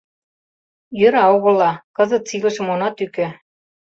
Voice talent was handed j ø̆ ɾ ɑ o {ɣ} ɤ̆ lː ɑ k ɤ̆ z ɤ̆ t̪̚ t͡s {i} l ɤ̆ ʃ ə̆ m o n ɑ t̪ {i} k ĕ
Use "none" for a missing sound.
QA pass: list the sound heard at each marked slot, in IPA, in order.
ɣ, i, y

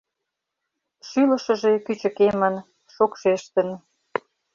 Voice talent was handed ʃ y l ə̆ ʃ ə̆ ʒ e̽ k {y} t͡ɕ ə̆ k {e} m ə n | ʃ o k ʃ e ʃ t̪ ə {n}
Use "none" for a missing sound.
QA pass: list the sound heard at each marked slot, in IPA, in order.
y, e, n

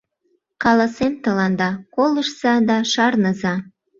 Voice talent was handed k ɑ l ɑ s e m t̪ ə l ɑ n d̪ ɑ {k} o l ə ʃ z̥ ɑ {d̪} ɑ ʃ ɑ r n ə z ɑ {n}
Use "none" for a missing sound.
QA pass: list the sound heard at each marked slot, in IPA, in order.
k, d̪, none

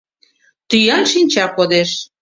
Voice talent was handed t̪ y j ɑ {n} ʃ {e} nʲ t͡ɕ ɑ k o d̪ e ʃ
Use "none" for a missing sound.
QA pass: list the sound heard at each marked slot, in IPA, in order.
n, i

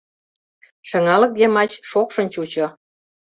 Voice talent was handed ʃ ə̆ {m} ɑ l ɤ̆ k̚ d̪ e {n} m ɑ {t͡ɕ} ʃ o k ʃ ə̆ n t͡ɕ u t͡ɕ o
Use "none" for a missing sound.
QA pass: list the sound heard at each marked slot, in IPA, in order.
ŋ, none, t͡ɕ

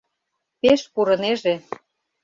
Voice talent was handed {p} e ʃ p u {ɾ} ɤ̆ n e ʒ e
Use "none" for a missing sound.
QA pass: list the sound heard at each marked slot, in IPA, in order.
p, ɾ

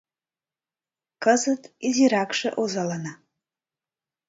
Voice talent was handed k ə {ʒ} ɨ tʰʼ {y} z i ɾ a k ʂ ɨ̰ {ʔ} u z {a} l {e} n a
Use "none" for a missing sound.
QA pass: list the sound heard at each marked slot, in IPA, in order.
z, i, ʔ, a, a

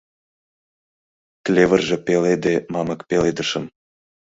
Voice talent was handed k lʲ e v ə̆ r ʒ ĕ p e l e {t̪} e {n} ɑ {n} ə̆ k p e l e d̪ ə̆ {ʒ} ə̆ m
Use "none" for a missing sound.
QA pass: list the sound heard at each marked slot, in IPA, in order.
d̪, m, m, ʃ

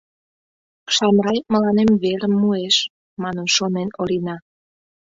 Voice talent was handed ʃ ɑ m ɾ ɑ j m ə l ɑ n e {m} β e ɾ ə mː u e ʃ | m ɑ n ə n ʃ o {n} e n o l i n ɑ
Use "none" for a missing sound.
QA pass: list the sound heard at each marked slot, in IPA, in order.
m, n

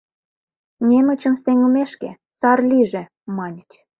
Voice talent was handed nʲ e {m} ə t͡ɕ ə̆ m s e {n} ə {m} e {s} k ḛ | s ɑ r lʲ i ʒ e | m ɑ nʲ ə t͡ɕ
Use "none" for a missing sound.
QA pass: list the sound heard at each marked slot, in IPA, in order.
m, ŋ, m, ʃ

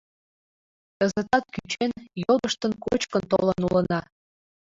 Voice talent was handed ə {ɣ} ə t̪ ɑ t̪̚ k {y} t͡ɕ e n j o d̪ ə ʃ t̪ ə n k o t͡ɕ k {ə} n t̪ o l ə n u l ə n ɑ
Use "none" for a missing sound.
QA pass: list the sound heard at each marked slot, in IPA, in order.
z, y, ə

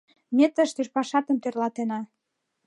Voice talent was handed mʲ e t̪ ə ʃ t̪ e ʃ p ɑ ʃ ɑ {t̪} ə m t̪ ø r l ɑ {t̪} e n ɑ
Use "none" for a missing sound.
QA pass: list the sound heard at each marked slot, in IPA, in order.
t̪, t̪

